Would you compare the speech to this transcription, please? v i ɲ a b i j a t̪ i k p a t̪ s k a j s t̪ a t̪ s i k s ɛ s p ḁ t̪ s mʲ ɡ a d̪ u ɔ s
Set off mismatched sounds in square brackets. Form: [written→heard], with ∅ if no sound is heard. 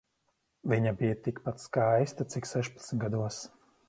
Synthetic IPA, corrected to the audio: v i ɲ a b i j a t̪ i k p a t̪ s k a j s t̪ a t̪ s i k s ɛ [s→ʃ] p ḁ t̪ s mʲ ɡ a d̪ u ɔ s

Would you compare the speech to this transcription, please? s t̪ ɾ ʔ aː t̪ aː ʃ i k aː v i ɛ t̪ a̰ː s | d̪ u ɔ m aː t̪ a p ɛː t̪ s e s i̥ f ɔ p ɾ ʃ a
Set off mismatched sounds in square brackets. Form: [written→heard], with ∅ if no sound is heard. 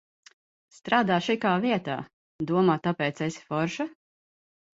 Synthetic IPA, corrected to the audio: s t̪ ɾ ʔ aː [t̪→d̪] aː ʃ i k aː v i ɛ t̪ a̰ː [s→∅] | d̪ u ɔ m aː t̪ a p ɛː t̪ s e s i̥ f ɔ [p→∅] ɾ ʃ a

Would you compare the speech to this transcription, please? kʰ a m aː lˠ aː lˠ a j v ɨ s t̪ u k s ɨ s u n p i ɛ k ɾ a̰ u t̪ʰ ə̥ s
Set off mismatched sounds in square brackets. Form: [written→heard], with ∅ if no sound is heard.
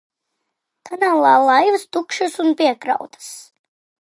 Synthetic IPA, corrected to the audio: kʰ a [m→n] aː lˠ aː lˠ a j v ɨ s t̪ u k [s→ʃ] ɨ s u n p i ɛ k ɾ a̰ [u→w] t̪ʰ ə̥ s

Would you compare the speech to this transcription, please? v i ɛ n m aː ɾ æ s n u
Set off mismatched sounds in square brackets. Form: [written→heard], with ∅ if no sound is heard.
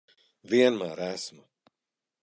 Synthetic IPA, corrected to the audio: v i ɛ n m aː ɾ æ s [n→m] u

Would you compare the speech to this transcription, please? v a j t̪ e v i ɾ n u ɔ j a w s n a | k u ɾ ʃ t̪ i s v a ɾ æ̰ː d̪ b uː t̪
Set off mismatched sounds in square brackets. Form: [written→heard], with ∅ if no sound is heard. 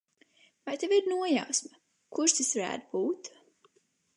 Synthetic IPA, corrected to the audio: v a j t̪ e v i ɾ n u ɔ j a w s [n→m] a | k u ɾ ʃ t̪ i s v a ɾ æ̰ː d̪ b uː t̪

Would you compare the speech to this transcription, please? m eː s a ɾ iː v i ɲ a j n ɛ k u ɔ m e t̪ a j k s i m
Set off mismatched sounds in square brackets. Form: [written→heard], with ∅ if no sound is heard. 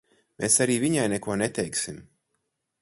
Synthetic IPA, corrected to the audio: m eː s a ɾ iː v i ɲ a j n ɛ k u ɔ [m→n] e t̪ [a→ɛ] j k s i m

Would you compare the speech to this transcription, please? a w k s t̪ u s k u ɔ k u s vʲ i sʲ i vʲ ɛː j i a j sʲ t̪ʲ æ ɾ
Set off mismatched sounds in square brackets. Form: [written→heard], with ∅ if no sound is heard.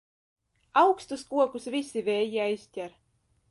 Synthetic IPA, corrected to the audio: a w k s t̪ u s k u ɔ k u s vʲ i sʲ i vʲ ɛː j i a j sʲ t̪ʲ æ ɾ

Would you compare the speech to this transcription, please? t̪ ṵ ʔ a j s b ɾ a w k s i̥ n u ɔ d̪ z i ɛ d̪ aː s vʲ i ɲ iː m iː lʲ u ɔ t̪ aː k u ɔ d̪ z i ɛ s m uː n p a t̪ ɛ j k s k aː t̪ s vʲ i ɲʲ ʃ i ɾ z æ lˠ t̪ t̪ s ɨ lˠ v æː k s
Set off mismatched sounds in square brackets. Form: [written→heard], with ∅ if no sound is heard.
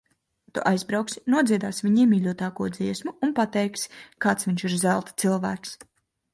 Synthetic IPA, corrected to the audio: t̪ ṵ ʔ a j [s→z] b ɾ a w k s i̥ n u ɔ d̪ z i ɛ d̪ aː s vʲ i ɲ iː m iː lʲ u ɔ t̪ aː k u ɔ d̪ z i ɛ s m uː n p a t̪ ɛ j k s k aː t̪ s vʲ i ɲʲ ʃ i ɾ z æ lˠ t̪ t̪ s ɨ lˠ v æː k s

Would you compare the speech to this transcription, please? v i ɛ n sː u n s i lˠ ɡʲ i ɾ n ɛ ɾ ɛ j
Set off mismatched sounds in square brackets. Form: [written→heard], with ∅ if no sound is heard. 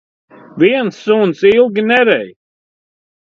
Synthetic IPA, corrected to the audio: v i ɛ n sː u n s i lˠ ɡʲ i [ɾ→∅] n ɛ ɾ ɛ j

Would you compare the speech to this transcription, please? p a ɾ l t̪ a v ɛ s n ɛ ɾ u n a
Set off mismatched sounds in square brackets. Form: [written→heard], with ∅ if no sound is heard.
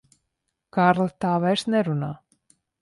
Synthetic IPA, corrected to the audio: [p→k] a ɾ l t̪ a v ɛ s n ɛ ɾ u n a

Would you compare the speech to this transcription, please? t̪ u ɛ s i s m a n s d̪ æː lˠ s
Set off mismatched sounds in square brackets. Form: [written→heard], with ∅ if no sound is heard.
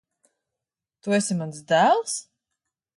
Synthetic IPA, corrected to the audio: t̪ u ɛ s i [s→∅] m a n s d̪ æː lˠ s

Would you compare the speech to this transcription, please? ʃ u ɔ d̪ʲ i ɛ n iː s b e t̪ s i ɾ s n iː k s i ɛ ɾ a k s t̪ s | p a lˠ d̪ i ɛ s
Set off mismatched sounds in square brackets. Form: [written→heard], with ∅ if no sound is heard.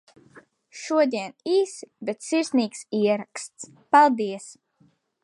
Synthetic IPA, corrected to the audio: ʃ u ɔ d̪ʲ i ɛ n iː s b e t̪ s i ɾ s n iː k s i ɛ ɾ a k s t̪ s | p a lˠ d̪ i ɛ s

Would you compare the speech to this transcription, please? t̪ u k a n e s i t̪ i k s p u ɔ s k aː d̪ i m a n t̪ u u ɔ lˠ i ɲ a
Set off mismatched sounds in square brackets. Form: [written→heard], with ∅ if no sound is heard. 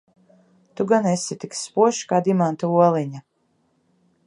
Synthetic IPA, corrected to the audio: t̪ u [k→ɡ] a n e s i t̪ i k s p u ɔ [s→ʃ] k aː d̪ i m a n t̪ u u ɔ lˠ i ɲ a

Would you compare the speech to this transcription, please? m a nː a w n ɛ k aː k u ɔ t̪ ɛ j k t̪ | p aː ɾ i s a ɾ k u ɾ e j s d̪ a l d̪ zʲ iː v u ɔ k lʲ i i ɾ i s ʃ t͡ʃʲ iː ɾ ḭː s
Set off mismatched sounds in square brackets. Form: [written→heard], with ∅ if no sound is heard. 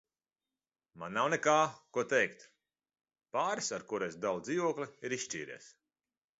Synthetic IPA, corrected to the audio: m a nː a w n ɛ k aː k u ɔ t̪ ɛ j k t̪ | p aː ɾ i s a ɾ k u ɾ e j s d̪ a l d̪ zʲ iː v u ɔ k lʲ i i ɾ i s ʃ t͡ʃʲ iː ɾ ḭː s

